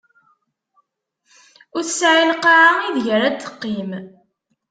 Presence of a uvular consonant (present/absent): present